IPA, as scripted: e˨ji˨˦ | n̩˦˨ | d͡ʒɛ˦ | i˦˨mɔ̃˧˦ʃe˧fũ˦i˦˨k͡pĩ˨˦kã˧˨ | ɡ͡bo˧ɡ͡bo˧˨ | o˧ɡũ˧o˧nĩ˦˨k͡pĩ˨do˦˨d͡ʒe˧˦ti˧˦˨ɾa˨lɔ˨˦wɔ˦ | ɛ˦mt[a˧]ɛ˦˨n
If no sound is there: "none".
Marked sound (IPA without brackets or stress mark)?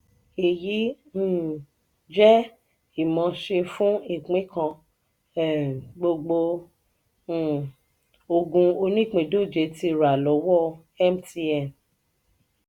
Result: i˧